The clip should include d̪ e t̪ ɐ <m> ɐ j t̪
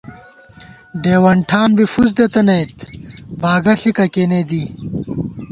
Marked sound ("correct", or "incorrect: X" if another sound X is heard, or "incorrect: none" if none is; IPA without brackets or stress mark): incorrect: n